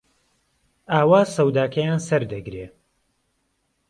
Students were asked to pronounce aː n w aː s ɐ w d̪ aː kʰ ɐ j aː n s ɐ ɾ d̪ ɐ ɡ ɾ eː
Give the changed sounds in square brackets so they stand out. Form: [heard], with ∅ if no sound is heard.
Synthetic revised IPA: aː [∅] w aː s ɐ w d̪ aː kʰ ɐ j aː n s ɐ ɾ d̪ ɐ ɡ ɾ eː